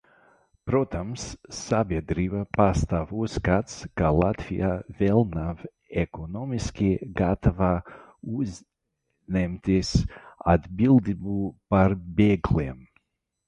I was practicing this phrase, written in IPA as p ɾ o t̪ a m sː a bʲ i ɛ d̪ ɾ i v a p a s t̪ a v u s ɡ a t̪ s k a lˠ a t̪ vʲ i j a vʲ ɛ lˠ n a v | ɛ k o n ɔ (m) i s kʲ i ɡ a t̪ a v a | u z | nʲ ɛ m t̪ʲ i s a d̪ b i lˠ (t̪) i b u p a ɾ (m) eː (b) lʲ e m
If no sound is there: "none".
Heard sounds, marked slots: m, d̪, b, ɡ

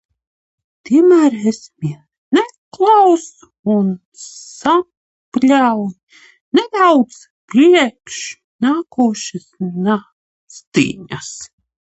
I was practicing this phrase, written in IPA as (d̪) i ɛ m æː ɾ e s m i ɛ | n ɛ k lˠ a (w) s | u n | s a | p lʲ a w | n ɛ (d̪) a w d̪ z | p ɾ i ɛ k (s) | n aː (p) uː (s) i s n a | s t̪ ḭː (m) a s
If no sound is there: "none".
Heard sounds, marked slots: t̪, w, d̪, ʃ, k, ʃ, ɲ

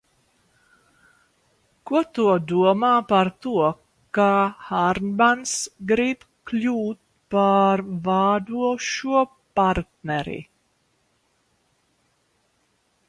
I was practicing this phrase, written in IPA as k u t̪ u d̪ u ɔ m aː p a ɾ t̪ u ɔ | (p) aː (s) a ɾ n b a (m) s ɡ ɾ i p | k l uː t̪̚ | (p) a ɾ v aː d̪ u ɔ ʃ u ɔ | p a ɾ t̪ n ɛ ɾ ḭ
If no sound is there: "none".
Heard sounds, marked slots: k, h, n, p

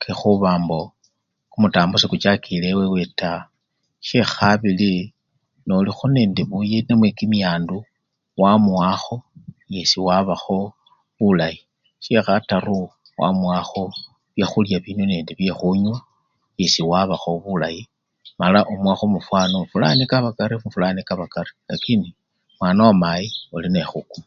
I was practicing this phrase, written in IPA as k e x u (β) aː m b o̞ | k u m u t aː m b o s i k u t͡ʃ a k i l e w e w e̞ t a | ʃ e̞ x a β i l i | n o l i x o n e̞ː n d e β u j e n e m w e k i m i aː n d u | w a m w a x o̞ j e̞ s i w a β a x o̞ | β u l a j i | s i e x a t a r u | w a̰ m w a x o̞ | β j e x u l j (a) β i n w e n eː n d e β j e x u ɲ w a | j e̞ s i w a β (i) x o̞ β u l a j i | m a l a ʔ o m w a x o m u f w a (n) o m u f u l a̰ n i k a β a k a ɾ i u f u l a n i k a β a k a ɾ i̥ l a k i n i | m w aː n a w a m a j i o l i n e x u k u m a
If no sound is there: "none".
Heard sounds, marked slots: β, a, a, n

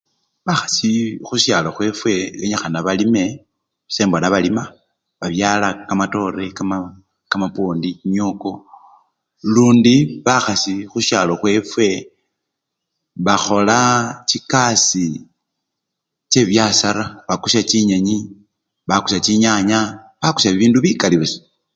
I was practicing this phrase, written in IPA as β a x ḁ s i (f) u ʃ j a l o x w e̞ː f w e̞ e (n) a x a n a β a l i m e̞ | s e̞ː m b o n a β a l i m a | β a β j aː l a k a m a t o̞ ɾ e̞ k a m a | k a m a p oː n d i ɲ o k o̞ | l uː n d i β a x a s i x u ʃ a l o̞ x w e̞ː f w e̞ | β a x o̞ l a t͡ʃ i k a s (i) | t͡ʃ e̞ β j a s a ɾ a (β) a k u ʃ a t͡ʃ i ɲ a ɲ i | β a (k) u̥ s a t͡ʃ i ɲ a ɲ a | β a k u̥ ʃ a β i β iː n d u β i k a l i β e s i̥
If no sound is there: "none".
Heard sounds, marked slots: x, ɲ, i, β, k

